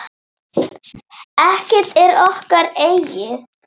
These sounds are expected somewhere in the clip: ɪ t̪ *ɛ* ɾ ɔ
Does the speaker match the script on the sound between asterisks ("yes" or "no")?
yes